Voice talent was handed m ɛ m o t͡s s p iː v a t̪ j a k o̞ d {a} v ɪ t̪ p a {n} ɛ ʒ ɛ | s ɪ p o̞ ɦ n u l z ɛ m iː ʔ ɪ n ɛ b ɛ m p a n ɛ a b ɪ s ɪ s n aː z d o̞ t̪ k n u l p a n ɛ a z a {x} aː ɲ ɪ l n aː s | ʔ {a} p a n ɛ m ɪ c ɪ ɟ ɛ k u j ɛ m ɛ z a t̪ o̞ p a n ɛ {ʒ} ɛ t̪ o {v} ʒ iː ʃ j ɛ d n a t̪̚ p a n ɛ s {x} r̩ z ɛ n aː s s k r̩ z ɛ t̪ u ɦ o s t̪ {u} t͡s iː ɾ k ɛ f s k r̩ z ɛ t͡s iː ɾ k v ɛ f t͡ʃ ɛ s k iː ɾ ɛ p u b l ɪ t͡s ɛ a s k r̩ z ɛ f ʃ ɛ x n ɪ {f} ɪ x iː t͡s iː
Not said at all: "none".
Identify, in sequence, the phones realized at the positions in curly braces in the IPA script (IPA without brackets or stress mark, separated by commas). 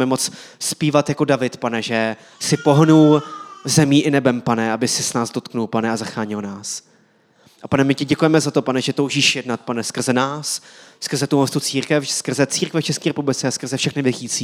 a, n, x, a, ʒ, w, k, u, v